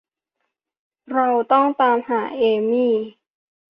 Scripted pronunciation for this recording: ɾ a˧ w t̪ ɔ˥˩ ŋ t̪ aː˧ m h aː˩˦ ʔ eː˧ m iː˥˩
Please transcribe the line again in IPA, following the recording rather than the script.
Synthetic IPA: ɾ a˧ w t̪ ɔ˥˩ ŋ t̪ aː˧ m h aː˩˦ ʔ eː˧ m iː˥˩